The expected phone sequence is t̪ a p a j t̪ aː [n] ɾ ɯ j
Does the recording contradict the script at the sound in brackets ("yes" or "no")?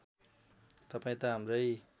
yes